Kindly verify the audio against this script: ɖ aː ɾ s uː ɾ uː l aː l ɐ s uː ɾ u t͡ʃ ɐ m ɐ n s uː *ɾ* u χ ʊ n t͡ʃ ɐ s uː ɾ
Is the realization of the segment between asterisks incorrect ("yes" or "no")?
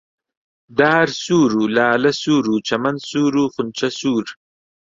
no